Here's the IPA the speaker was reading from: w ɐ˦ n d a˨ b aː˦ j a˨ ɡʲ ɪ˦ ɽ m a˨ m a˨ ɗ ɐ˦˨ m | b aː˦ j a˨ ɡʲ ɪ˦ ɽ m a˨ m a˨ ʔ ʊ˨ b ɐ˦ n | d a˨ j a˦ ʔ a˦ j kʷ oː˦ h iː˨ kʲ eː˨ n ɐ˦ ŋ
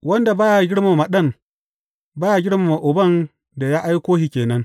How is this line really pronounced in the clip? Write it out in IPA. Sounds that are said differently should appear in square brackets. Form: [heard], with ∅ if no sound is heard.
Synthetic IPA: w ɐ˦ n d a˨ b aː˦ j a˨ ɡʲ ɪ˦ ɽ m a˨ m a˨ ɗ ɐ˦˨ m | b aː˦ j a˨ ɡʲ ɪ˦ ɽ m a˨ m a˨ ʔ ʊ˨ b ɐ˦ n | d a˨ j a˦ ʔ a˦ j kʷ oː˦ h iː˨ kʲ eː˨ n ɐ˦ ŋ

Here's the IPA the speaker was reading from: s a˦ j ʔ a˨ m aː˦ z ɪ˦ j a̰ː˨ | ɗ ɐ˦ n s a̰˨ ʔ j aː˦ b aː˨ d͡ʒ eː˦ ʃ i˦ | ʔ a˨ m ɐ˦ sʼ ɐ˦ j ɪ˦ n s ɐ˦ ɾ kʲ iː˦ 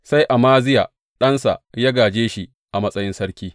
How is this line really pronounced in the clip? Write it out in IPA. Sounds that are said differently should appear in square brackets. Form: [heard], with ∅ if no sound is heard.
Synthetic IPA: s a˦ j ʔ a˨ m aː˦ z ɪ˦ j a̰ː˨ | ɗ ɐ˦ n s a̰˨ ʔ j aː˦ [ɡ] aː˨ d͡ʒ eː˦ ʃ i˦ | ʔ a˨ m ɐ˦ sʼ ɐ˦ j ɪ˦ n s ɐ˦ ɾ kʲ iː˦

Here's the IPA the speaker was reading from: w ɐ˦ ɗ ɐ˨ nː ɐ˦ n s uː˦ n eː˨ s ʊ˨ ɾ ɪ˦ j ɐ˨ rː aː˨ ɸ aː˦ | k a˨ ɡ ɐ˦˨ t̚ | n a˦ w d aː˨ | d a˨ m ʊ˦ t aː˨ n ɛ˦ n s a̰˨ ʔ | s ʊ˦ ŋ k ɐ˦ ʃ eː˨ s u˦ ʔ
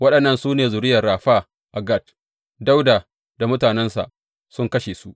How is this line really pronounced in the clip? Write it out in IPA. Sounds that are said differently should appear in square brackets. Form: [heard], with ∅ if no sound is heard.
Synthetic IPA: w ɐ˦ ɗ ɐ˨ nː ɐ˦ n s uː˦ n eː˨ [z] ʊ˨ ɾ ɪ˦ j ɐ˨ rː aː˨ ɸ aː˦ | [ʔ] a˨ ɡ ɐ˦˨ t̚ | [d] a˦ w d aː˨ | d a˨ m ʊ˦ t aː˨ n ɛ˦ n s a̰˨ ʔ | s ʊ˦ ŋ k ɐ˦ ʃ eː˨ s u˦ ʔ

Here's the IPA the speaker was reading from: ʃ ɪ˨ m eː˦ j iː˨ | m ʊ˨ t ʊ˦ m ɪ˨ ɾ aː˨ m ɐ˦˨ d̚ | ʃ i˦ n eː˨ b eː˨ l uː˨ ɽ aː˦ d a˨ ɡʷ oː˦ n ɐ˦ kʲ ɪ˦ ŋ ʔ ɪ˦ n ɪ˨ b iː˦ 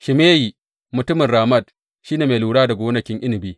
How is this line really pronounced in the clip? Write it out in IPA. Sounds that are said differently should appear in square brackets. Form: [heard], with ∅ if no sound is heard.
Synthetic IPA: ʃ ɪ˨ m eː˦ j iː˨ | m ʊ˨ t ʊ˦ m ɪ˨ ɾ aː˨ m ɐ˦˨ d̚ | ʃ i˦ n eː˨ [m] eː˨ l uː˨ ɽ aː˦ d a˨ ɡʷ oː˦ n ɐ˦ kʲ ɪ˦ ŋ ʔ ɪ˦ n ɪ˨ b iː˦

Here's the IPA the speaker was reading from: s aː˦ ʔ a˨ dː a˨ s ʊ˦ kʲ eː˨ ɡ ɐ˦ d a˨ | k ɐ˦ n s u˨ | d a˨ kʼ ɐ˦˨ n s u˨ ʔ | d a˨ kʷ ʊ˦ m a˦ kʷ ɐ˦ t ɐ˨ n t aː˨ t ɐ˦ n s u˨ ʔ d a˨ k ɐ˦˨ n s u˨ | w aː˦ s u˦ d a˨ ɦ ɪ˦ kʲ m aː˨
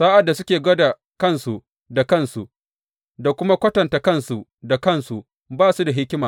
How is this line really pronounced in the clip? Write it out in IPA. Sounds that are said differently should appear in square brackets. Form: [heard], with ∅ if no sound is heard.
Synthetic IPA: s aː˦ ʔ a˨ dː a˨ s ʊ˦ kʲ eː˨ ɡ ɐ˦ d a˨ | k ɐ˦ n s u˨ | d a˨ [k] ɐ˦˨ n s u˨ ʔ | d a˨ kʷ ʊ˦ m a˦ kʷ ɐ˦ t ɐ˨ n t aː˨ [k] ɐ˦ n s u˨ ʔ d a˨ k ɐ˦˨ n s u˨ | [b] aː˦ s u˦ d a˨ ɦ ɪ˦ kʲ m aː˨

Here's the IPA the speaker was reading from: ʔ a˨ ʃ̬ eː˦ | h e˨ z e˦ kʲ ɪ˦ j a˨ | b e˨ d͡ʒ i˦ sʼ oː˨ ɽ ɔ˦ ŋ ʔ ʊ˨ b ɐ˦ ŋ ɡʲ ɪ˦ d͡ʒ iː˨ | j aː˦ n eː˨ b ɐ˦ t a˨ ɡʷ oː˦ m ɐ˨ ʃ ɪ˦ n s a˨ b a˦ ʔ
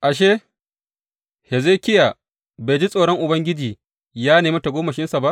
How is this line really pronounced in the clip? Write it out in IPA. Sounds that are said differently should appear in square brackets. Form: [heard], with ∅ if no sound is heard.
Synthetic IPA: ʔ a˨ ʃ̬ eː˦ | h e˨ z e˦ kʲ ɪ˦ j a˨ | b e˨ d͡ʒ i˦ sʼ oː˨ ɽ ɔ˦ ŋ ʔ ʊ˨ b ɐ˦ ŋ ɡʲ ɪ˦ d͡ʒ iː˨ | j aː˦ n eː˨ [m] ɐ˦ t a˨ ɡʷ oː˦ m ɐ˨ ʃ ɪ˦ n s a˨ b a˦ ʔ

